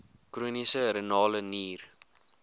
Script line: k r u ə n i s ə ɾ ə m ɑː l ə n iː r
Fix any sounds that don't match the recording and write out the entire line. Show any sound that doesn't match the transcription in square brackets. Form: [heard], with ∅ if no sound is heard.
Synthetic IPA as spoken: k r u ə n i s ə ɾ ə [n] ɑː l ə n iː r